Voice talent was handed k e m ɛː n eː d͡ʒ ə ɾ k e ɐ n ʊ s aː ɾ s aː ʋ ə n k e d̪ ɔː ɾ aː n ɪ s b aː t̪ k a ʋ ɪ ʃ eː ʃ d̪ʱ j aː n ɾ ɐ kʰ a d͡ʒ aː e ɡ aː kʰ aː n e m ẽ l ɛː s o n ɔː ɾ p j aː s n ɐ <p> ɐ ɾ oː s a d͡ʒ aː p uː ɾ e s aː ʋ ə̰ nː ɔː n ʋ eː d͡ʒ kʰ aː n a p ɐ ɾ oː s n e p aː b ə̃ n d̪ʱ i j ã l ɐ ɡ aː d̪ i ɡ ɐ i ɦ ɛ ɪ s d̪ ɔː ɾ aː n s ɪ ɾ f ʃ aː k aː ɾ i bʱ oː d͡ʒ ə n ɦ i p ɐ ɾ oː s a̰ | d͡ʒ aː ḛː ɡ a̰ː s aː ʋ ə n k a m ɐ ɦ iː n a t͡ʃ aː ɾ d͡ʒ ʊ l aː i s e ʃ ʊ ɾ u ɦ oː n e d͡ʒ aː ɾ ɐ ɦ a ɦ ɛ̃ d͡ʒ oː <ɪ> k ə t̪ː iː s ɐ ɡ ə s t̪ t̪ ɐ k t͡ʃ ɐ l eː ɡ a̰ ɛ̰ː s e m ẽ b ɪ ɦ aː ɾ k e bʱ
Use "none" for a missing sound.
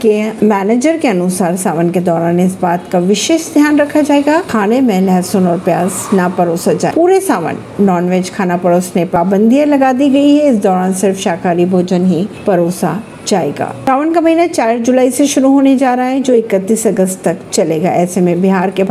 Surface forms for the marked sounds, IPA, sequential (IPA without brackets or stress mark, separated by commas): p, ɪ